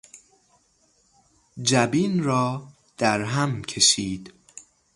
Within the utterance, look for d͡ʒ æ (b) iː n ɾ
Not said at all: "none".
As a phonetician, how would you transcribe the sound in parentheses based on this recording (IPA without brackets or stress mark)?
b